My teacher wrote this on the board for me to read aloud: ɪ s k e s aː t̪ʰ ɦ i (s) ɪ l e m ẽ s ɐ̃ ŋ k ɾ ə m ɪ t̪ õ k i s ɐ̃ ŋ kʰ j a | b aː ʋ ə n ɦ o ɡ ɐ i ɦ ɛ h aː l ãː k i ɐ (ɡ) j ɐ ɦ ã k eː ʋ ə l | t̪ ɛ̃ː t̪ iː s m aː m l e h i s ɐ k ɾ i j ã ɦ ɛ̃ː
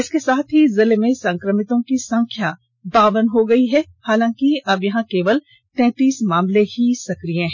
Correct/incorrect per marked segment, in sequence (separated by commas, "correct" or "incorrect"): incorrect, incorrect